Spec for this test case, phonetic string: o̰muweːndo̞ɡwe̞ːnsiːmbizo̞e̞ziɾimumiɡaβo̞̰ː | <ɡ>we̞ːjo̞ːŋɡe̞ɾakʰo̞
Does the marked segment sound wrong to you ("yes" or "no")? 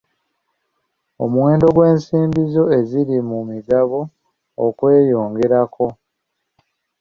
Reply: yes